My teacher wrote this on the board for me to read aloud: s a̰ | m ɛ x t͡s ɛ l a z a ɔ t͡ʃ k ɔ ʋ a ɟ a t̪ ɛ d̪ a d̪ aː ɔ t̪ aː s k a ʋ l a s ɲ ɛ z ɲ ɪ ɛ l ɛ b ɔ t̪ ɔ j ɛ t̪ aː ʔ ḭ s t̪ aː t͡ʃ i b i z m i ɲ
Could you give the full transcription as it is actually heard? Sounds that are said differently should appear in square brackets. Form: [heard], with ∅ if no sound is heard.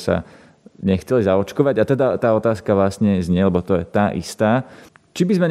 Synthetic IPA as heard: s a̰ | [ɲ] ɛ x t͡s ɛ l [i] z a ɔ t͡ʃ k ɔ ʋ a ɟ a t̪ ɛ d̪ a [t̪] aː ɔ t̪ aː s k a ʋ l a s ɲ ɛ z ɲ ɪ ɛ l ɛ b ɔ t̪ ɔ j ɛ t̪ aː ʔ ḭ s t̪ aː t͡ʃ i b i z m [ɛ] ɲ